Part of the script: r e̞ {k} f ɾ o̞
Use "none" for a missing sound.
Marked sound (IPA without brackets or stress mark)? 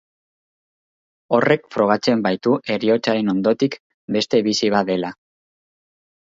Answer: k